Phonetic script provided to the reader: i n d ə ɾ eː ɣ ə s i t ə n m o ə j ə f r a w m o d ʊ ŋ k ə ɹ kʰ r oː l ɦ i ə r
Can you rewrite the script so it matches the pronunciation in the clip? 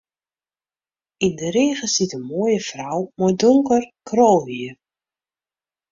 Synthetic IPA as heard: i n d ə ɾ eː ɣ ə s i t ə n m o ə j ə f r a w m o d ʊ ŋ k ə r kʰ r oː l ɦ i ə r